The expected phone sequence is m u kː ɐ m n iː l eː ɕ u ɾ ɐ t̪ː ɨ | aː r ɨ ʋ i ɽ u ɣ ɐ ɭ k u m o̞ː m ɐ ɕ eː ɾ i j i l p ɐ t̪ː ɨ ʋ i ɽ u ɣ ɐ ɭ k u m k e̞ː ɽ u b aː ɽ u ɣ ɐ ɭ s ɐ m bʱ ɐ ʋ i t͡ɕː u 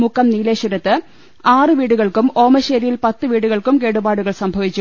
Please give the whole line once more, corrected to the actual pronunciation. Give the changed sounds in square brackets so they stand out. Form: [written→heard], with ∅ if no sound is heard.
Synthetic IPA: m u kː ɐ m n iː l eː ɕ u ɾ ɐ t̪ː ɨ | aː r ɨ ʋ [i→iː] ɽ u ɣ ɐ ɭ k u m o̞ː m ɐ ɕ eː ɾ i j i l p ɐ t̪ː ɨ ʋ [i→iː] ɽ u ɣ ɐ ɭ k u m k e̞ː ɽ u b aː ɽ u ɣ ɐ ɭ s ɐ m bʱ ɐ ʋ i t͡ɕː u